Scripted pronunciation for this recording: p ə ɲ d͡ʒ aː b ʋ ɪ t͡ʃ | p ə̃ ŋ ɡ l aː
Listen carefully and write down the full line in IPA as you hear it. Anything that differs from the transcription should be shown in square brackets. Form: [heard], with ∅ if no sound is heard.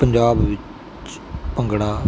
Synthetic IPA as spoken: p ə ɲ d͡ʒ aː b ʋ ɪ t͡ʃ | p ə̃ ŋ ɡ [ɽ] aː